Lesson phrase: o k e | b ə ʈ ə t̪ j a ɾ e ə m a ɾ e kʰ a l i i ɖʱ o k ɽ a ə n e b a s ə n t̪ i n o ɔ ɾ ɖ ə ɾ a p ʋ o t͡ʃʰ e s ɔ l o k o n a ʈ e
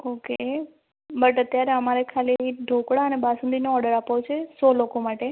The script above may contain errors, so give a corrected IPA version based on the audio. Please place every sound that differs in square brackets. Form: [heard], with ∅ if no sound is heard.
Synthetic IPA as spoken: o k e | b ə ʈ ə t̪ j a ɾ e ə m a ɾ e kʰ a l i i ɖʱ o k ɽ a ə n e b a s ə n [d̪] i n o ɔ ɾ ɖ ə ɾ a p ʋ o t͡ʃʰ e s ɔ l o k o [m] a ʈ e